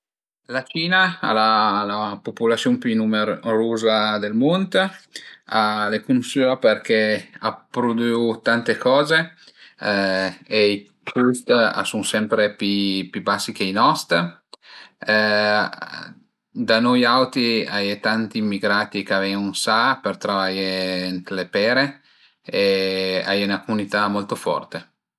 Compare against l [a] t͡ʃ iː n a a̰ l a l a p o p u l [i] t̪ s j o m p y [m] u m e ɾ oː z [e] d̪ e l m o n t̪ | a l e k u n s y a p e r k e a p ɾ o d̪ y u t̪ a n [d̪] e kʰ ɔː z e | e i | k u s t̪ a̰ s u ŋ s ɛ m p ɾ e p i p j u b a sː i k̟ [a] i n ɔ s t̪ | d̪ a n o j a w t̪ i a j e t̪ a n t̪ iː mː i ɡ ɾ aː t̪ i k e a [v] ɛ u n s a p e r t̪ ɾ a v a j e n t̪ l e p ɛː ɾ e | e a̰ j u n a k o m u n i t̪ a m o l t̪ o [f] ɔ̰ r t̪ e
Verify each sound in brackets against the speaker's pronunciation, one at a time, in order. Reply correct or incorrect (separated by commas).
correct, incorrect, incorrect, incorrect, incorrect, incorrect, correct, correct